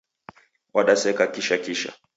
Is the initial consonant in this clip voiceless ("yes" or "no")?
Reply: no